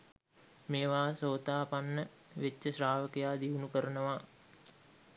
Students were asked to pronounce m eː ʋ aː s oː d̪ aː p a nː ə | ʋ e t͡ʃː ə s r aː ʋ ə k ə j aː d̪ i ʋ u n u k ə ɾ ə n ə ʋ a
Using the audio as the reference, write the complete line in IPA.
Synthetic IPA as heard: m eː ʋ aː s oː t̪ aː p a nː ə | ʋ e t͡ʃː ə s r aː ʋ ə k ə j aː d̪ i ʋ u n u k ə ɾ ə n ə ʋ a